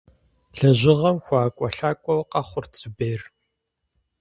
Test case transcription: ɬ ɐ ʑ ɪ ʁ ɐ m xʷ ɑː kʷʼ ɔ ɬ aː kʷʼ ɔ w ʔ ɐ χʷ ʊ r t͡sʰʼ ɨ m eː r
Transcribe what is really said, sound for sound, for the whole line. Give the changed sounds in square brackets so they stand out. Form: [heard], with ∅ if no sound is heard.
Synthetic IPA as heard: ɬ ɐ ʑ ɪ ʁ ɐ m xʷ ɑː kʷʼ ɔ ɬ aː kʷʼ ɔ w [q] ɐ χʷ ʊ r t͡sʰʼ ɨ [b] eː r